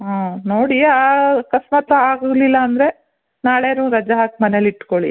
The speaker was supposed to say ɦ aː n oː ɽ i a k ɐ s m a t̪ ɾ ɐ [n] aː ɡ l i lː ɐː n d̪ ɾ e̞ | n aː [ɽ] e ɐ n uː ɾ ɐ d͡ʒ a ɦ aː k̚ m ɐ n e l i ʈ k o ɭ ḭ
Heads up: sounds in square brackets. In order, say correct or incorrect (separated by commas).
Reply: incorrect, incorrect